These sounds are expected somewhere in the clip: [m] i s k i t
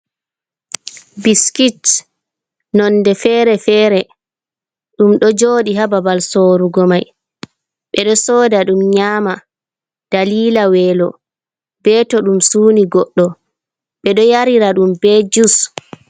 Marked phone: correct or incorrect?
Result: incorrect